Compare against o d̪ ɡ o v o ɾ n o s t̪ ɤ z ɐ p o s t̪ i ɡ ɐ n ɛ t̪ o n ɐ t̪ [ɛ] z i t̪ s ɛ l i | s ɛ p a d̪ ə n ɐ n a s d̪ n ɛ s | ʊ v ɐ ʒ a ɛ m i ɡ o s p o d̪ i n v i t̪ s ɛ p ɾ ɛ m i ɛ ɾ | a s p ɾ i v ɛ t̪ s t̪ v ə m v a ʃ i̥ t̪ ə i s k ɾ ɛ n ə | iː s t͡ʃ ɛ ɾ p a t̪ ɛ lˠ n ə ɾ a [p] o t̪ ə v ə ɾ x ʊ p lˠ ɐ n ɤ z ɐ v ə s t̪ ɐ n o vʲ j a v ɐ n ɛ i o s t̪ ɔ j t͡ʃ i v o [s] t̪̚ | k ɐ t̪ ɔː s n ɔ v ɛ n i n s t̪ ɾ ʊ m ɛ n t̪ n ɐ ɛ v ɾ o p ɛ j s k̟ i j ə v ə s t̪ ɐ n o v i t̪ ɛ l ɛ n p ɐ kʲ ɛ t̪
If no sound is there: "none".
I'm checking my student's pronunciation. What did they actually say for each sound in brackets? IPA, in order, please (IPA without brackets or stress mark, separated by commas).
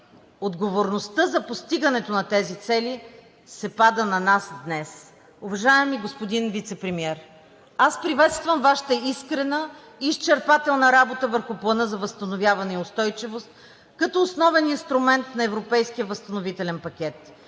ɛ, b, s